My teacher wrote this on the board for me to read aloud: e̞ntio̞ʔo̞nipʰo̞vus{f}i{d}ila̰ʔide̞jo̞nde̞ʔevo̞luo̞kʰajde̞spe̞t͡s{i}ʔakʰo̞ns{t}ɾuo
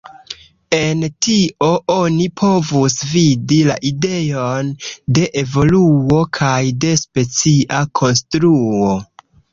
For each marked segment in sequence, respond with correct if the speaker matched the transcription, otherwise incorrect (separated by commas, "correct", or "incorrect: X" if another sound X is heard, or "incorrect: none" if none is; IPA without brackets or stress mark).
incorrect: v, correct, correct, correct